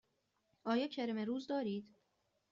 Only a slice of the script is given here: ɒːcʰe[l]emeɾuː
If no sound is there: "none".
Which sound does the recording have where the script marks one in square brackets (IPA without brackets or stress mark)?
ɾ